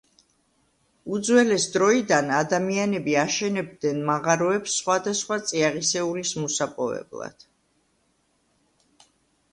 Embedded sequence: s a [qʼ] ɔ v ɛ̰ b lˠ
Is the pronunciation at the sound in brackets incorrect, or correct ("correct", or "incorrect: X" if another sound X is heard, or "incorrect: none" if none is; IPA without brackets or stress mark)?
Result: incorrect: pʼ